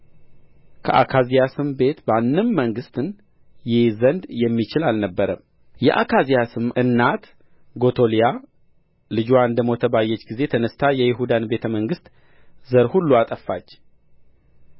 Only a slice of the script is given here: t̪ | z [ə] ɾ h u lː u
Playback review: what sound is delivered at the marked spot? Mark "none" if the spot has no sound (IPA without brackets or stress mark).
ə